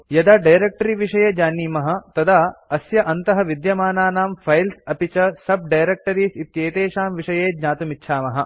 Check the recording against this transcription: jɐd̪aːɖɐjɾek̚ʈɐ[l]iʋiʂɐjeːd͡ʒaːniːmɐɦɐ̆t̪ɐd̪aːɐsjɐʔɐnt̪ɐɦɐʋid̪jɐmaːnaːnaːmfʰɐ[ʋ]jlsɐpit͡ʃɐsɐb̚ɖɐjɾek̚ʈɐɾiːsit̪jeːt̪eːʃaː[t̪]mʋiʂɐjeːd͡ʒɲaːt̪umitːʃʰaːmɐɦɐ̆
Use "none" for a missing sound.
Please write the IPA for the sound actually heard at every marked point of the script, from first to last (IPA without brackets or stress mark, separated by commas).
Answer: ɾ, none, none